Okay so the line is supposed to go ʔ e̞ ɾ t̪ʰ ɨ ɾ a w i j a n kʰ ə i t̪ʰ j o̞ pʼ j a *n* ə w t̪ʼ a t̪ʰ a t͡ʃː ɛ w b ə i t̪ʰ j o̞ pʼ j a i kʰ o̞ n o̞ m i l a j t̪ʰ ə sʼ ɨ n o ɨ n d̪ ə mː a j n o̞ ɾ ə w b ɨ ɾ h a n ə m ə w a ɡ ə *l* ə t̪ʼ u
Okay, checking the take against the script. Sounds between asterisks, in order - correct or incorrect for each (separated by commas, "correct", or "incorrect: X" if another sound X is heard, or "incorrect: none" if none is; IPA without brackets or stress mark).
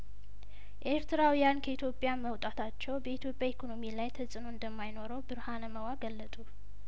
incorrect: m, incorrect: lː